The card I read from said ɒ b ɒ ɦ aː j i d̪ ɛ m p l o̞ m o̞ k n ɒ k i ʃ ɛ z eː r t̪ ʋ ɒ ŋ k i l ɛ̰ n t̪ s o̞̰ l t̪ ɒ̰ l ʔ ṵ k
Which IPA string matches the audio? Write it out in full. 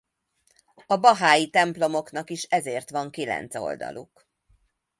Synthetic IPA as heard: ɒ b ɒ ɦ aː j i t̪ ɛ m p l o̞ m o̞ k n ɒ k i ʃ ɛ z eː r t̪ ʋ ɒ ŋ k i l ɛ̰ n t̪ s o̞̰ l d̪ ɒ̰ l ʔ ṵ k